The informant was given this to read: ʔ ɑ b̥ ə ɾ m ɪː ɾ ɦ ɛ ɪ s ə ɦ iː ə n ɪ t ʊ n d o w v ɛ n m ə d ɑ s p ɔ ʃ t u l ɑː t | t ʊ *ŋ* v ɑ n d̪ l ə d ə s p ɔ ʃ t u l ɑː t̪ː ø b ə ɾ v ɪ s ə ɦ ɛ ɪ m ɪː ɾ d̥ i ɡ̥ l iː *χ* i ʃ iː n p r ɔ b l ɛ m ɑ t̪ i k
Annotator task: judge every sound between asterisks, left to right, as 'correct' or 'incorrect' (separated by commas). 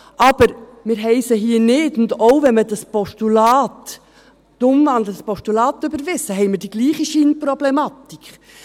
incorrect, correct